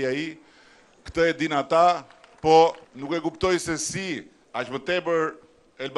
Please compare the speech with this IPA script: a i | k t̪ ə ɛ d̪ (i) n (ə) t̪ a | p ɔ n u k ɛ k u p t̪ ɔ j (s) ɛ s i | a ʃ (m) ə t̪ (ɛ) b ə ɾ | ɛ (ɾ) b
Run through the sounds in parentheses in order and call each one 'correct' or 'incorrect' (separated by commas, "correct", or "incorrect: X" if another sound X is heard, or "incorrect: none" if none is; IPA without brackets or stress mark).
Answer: correct, incorrect: a, correct, correct, correct, incorrect: l